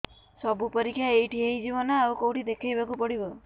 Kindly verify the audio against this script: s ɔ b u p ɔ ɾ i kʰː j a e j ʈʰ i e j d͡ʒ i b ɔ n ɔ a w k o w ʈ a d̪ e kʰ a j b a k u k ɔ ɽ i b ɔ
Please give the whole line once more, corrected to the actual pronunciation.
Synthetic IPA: s ɔ b u p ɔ ɾ i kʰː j a e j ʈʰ i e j d͡ʒ i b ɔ n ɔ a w k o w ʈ i d̪ e kʰ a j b a k u p ɔ ɽ i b ɔ